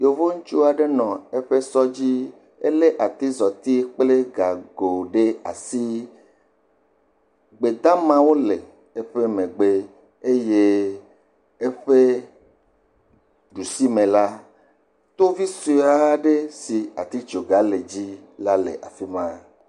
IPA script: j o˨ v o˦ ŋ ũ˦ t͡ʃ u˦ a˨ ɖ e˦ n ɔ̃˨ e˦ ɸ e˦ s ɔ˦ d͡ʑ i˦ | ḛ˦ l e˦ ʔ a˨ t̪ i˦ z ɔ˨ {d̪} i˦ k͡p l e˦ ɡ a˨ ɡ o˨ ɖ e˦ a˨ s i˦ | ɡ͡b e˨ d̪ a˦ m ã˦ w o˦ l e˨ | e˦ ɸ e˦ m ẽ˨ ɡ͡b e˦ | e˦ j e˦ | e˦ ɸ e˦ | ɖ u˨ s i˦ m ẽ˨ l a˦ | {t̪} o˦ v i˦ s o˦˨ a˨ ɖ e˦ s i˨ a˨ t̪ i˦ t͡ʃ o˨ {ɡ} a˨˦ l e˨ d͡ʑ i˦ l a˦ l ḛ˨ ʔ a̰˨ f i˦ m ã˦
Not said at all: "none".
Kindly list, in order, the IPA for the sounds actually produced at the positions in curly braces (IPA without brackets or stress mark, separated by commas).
t̪, t̪, ɡ